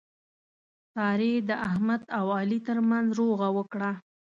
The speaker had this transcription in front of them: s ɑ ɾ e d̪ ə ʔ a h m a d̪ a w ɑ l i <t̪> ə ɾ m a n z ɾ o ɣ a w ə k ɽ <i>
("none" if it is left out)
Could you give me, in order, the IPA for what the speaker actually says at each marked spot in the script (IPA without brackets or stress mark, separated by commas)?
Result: t̪, a